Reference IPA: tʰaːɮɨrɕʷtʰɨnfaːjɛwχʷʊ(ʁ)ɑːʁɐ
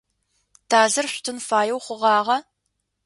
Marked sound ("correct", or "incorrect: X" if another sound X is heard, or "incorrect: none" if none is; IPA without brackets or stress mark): correct